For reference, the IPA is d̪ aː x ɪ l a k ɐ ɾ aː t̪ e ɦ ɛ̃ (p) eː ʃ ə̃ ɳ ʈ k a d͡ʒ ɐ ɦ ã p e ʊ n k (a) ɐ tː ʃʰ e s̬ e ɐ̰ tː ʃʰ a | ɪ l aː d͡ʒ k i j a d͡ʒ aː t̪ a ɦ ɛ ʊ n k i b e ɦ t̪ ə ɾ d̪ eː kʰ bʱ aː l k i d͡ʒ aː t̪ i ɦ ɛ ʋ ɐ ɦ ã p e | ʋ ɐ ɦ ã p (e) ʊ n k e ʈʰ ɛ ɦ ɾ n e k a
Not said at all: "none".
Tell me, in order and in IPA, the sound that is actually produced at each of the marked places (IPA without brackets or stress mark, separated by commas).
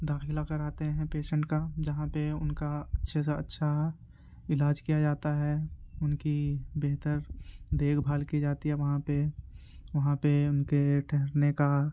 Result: p, a, e